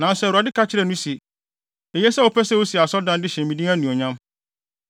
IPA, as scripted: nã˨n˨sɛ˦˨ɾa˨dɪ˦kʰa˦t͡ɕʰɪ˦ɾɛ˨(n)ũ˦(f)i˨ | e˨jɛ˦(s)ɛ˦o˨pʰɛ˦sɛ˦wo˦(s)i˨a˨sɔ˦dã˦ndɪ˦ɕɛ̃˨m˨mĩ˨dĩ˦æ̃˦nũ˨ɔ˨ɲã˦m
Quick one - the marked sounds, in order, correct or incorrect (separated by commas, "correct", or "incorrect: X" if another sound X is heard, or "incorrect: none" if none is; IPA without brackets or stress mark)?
correct, incorrect: s, correct, correct